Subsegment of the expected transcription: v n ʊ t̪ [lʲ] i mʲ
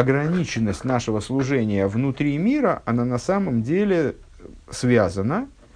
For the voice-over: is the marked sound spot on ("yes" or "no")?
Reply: no